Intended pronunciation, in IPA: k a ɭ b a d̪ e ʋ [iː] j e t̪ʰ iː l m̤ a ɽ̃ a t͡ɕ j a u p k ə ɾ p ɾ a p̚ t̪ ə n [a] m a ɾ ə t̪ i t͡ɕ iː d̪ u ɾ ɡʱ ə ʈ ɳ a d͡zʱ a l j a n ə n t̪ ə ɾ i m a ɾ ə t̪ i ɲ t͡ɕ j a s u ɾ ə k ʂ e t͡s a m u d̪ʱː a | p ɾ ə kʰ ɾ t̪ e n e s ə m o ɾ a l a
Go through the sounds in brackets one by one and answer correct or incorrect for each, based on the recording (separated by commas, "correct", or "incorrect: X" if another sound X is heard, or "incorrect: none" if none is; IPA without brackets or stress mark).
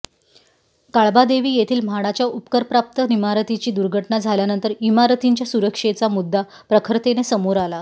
correct, incorrect: i